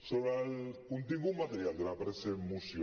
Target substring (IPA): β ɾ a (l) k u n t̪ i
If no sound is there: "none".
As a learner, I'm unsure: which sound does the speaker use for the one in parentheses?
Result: l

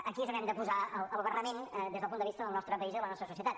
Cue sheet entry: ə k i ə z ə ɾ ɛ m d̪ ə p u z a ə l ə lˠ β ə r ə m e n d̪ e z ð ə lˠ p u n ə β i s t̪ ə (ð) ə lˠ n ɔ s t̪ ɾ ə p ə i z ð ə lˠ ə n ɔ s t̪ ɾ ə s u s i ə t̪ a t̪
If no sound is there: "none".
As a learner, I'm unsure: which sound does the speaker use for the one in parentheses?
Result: ð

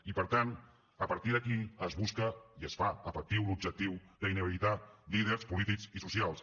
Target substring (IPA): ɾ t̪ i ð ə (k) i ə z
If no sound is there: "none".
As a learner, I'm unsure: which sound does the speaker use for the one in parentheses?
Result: k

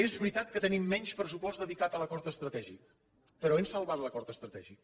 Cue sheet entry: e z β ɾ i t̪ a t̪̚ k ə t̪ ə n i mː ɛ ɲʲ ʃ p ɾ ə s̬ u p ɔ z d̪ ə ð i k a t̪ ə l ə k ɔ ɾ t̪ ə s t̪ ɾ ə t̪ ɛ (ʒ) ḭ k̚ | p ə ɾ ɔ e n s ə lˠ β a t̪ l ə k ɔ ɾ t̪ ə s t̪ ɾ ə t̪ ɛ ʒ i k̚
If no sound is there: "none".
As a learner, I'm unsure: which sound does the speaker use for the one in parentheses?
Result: ʒ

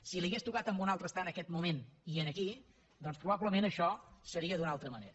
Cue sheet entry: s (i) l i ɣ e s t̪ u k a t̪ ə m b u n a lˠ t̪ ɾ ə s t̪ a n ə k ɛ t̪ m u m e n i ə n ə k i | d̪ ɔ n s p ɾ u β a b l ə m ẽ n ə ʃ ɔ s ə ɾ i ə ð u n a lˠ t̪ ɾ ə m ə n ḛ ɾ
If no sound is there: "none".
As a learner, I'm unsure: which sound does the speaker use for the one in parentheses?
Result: i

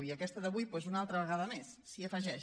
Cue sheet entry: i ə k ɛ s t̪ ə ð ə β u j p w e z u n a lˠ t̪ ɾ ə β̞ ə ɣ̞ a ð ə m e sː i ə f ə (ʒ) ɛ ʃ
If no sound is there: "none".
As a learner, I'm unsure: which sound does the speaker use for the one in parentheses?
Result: ʒ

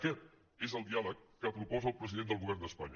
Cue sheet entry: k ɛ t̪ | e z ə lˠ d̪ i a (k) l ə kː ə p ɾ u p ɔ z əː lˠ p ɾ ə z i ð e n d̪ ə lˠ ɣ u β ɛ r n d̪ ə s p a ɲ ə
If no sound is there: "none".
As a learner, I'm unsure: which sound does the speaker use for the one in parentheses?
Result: none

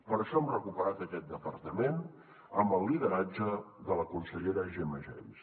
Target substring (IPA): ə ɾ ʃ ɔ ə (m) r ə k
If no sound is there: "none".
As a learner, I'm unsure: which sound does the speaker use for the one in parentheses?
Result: m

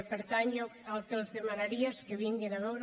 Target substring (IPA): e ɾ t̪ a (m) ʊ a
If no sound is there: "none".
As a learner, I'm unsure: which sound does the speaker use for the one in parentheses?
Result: ɲ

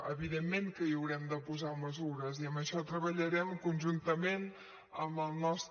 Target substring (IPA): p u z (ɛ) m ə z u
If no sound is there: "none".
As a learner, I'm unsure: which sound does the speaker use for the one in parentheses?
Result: a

